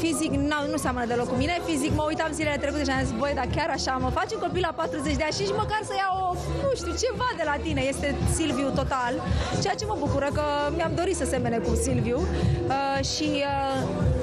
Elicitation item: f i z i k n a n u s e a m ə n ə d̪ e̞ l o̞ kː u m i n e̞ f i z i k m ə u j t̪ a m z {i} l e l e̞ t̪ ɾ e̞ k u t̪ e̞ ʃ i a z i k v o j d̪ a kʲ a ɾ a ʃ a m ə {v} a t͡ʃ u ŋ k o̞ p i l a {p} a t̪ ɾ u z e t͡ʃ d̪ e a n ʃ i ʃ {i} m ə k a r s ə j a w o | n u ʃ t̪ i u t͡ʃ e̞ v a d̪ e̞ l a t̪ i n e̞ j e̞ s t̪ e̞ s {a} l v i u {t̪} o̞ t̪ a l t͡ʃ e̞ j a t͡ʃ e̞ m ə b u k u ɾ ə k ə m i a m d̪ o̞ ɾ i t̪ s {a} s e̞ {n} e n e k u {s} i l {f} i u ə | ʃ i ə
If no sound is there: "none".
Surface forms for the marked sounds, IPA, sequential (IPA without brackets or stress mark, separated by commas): i, f, p, i, i, t̪, ə, m, s, v